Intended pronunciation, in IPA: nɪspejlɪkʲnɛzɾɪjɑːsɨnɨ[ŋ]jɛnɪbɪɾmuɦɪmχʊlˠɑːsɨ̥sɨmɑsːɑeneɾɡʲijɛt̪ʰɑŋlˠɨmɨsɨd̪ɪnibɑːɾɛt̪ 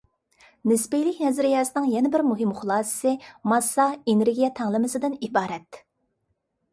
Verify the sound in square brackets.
correct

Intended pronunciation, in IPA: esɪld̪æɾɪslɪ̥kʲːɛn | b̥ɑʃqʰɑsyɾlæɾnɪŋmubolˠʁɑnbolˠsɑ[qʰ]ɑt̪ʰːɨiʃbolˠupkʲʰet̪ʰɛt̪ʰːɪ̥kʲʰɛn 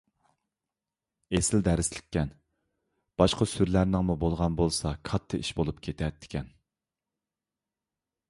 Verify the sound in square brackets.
incorrect: kʰ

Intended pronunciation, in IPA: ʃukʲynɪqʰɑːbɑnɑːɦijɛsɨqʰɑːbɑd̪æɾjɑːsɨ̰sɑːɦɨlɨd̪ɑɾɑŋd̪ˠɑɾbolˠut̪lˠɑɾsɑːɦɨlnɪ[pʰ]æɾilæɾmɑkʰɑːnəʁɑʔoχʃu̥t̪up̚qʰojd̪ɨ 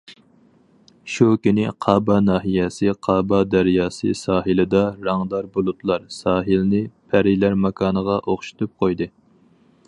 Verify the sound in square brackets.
correct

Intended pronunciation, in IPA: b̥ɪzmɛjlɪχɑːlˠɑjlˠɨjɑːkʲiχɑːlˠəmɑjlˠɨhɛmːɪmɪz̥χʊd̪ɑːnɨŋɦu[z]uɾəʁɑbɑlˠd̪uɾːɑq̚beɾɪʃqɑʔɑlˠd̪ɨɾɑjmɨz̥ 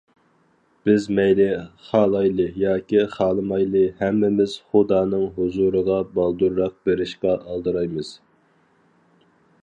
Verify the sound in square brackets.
correct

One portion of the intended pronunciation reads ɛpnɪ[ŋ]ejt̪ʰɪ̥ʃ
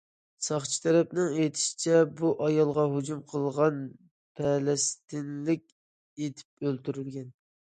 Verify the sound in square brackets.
correct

